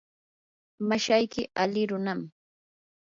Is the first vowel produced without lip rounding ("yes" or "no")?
yes